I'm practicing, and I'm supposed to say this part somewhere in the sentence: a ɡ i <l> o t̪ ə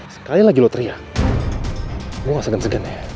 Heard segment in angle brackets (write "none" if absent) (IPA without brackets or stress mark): l